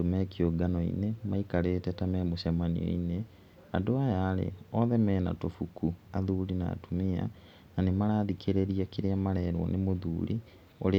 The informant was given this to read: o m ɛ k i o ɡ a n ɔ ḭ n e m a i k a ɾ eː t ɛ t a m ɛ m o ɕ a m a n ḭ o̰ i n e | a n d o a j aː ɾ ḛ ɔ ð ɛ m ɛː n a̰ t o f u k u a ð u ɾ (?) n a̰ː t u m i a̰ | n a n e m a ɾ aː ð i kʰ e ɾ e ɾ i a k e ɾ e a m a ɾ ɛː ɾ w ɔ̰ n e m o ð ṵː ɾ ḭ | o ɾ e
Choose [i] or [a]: i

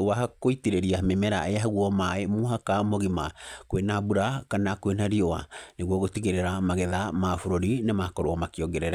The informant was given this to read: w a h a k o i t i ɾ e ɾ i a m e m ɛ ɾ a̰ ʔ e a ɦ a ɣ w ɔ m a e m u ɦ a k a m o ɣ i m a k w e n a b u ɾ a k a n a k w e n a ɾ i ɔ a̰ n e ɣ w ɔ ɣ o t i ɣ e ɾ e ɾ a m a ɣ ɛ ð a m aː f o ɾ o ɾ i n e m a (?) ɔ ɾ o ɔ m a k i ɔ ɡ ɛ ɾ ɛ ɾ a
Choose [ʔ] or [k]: k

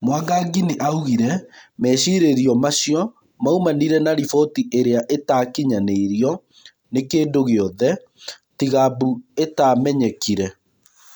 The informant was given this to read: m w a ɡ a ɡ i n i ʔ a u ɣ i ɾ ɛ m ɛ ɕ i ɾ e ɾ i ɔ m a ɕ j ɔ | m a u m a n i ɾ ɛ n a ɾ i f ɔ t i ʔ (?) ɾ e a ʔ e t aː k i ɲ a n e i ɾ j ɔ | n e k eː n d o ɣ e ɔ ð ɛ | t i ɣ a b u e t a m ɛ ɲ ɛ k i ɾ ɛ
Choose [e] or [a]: e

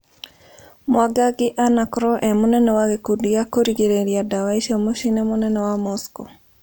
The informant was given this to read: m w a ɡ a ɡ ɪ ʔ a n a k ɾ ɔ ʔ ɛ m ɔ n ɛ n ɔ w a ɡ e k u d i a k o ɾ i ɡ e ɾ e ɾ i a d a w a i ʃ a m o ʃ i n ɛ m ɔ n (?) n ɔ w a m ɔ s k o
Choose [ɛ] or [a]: ɛ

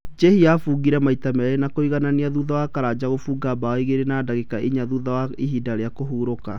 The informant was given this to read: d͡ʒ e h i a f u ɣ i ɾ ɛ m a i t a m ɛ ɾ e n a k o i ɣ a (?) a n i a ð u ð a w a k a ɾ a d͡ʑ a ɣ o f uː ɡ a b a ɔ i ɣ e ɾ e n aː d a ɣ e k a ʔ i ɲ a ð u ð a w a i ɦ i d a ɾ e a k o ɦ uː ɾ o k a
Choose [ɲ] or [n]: n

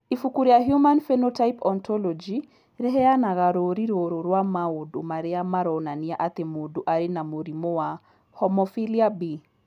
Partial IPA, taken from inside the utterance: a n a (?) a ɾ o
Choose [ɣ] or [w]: ɣ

